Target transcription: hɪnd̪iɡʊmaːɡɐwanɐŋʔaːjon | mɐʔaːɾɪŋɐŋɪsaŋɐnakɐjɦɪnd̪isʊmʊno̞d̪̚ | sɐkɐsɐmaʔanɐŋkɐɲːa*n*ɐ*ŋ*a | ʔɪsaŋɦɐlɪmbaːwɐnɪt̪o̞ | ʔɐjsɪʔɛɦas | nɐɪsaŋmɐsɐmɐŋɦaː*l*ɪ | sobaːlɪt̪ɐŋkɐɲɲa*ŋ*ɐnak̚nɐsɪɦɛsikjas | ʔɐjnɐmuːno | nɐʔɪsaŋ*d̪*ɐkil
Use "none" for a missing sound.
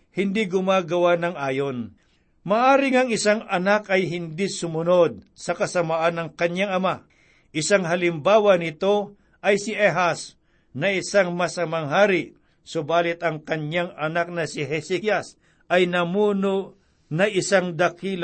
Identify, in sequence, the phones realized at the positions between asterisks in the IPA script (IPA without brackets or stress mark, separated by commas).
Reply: ŋ, m, ɾ, ŋ, d̪